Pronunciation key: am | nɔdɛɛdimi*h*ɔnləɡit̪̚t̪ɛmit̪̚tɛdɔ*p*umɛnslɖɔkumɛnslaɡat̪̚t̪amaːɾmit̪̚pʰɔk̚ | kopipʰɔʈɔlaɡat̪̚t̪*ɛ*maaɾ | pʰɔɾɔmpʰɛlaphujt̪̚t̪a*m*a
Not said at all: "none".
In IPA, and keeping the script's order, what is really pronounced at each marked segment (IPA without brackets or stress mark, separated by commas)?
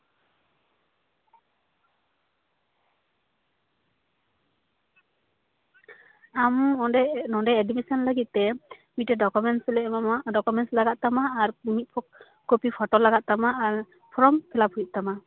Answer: s, k, a, m